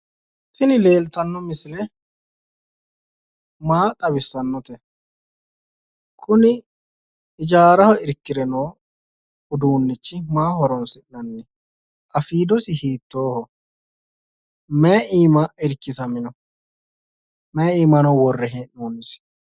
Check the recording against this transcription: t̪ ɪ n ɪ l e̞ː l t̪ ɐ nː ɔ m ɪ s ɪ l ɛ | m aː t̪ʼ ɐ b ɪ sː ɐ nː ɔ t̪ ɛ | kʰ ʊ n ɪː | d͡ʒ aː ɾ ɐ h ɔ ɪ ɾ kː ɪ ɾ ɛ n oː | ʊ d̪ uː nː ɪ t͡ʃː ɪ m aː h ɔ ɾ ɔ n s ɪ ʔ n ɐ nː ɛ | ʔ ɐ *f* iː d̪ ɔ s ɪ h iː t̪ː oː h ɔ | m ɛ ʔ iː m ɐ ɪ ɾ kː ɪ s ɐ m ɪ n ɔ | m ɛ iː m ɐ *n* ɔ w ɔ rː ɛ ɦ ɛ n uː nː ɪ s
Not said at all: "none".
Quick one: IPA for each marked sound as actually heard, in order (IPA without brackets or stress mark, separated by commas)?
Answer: f, n